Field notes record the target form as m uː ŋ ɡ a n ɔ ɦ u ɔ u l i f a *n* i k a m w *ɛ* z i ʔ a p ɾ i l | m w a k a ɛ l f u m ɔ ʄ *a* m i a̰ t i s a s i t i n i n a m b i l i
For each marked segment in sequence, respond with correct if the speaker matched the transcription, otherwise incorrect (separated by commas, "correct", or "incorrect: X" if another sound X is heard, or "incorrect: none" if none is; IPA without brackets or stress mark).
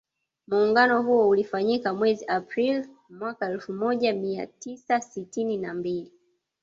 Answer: incorrect: ɲ, correct, correct